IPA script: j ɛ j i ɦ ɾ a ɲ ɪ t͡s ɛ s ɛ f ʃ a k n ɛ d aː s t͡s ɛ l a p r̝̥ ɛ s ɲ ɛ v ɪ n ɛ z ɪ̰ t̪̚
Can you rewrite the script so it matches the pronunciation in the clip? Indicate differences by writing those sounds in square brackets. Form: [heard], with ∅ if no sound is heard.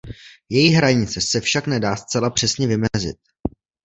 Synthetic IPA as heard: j ɛ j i ɦ ɾ a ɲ ɪ t͡s ɛ s ɛ f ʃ a k n ɛ d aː s t͡s ɛ l a p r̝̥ ɛ s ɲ ɛ v ɪ [m] ɛ z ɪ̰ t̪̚